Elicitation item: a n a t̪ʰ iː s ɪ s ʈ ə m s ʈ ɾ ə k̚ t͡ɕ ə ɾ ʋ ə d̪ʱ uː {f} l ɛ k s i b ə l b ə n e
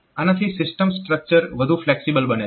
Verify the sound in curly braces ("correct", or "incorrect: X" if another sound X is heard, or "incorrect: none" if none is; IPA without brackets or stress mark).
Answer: correct